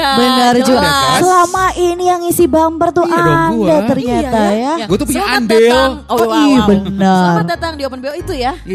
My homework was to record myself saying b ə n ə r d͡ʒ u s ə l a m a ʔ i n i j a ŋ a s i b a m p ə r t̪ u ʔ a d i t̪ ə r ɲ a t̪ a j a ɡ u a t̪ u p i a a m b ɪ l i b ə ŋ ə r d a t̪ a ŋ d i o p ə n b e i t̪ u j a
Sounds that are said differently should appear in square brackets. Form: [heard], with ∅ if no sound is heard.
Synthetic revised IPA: b ə n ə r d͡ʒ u s ə l a m a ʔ i n i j a ŋ [i] s i b a m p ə r t̪ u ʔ a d [a] t̪ ə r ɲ a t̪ a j a ɡ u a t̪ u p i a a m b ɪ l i b ə [n] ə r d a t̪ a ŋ d i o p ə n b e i t̪ u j a